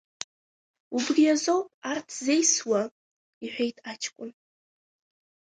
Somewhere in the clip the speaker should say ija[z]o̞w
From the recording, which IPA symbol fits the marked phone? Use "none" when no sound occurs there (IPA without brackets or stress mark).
z